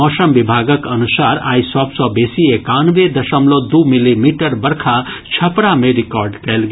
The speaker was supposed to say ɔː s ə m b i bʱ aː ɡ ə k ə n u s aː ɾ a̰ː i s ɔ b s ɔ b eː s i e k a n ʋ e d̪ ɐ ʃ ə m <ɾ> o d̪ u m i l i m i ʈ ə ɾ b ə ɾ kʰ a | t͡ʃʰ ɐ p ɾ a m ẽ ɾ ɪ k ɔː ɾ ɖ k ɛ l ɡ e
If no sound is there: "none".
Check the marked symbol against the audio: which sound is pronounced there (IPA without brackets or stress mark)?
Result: l